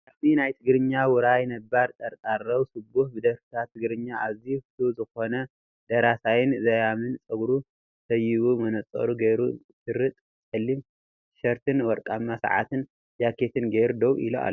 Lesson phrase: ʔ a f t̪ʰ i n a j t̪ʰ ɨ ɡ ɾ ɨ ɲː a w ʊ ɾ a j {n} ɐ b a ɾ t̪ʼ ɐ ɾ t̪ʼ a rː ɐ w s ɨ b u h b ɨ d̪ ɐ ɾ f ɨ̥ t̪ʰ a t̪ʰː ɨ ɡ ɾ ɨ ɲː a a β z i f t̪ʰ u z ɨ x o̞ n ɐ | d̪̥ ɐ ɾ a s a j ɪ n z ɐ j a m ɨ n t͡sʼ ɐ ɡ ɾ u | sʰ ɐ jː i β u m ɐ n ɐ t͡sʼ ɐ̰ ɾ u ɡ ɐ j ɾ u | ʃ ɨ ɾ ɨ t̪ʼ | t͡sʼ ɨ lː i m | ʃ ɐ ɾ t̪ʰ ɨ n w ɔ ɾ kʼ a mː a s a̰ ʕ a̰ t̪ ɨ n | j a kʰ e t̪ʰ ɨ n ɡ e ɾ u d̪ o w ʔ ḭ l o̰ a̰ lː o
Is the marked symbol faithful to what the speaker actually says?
yes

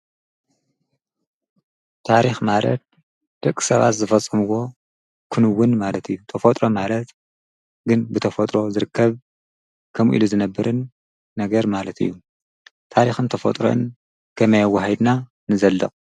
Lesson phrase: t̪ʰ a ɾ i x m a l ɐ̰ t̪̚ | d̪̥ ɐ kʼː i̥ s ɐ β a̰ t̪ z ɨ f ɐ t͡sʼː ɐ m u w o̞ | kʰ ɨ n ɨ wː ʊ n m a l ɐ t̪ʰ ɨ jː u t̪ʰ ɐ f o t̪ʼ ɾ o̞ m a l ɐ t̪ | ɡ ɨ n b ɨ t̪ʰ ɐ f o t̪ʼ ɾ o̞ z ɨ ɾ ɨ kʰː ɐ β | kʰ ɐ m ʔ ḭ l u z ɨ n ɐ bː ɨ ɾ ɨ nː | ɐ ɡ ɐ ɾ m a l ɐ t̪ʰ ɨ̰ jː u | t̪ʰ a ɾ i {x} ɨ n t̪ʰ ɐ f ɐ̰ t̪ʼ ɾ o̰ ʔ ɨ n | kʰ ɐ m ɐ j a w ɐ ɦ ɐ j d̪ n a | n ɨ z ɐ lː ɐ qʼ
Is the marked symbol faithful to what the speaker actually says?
yes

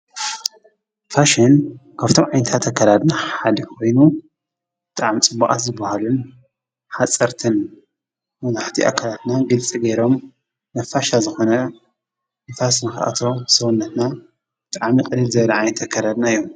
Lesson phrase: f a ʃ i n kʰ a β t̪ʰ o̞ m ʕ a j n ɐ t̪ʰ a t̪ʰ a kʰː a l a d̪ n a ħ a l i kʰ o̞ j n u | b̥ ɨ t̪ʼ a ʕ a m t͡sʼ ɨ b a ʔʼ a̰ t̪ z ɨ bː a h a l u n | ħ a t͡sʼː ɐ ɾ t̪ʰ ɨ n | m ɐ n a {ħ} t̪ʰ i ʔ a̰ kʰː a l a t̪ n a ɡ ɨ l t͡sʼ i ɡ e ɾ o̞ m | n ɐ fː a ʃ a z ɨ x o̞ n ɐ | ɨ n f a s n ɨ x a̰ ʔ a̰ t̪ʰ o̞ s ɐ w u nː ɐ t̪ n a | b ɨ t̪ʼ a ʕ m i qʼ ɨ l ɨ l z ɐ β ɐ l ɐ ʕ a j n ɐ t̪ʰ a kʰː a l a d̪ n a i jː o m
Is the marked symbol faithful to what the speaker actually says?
yes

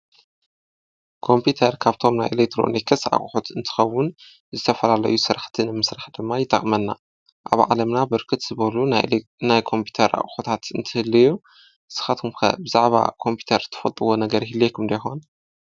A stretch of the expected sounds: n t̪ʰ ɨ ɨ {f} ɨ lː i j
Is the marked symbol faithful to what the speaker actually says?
no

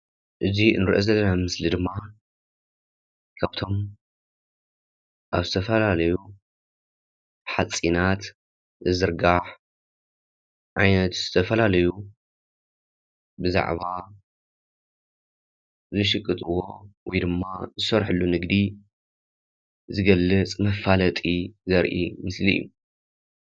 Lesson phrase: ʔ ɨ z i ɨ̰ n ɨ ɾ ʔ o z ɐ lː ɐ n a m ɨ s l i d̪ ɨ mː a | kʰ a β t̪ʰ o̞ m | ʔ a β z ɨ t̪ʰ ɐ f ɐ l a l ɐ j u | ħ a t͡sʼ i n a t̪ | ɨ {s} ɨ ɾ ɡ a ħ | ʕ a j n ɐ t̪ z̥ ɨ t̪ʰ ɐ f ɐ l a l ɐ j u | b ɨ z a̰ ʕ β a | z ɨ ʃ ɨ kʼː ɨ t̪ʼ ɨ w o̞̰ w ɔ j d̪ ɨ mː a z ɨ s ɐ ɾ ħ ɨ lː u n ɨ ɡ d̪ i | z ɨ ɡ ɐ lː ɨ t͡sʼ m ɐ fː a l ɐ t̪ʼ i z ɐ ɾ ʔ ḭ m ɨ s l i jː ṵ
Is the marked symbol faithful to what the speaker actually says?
no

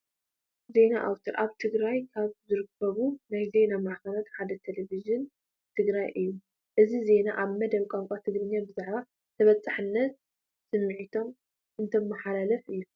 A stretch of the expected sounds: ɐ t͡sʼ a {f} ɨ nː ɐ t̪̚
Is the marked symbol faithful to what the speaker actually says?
no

